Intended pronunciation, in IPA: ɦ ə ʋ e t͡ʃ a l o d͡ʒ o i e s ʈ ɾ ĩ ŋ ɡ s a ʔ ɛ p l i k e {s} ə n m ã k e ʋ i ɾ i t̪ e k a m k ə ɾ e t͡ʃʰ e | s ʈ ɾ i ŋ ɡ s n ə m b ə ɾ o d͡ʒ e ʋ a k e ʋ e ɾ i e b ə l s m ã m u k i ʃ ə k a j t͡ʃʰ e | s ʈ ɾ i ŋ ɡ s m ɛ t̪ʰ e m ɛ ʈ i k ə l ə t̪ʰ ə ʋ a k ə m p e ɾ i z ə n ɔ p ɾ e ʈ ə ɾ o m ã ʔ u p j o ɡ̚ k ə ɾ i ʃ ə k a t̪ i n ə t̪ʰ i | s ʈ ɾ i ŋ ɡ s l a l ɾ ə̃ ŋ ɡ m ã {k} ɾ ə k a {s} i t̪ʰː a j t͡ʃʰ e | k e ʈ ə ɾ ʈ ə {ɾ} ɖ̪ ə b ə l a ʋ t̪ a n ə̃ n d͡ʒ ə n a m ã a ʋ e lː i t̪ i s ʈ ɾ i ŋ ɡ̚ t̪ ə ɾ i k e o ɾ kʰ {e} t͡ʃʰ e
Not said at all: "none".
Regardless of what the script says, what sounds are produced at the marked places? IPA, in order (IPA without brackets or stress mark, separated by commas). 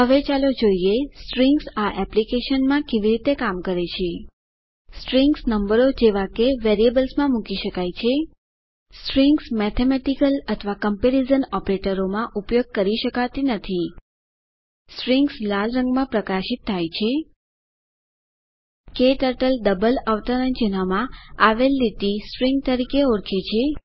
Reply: ʃ, p, ʃ, l, e